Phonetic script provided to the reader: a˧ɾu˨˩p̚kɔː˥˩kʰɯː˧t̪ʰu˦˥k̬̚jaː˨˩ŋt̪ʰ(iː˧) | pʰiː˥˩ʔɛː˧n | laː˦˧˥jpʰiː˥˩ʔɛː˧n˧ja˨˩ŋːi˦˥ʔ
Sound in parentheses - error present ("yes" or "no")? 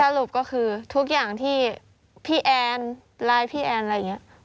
yes